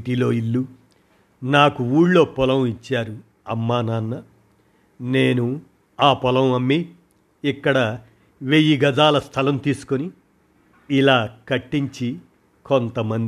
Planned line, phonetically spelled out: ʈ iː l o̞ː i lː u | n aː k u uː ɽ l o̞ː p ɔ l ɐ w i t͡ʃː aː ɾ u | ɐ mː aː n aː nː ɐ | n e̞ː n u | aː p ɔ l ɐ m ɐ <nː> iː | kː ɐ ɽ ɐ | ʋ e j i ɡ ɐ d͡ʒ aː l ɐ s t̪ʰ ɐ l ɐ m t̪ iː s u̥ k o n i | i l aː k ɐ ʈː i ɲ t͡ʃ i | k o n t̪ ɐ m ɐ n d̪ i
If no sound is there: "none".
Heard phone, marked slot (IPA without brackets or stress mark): mː